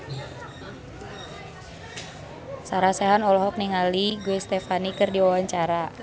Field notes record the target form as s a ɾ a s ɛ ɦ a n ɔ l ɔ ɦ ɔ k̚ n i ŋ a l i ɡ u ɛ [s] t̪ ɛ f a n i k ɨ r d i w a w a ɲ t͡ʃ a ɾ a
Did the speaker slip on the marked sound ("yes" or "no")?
no